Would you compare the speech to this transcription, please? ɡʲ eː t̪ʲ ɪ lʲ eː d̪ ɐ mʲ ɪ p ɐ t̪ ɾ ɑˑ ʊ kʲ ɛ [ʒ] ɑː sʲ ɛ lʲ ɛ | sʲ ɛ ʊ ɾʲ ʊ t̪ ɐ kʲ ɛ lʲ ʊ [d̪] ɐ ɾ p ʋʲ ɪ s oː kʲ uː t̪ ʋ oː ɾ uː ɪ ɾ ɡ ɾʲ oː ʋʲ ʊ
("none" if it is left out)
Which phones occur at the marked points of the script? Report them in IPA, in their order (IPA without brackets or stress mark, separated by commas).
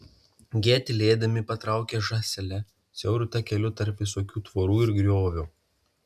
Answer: ʒ, t̪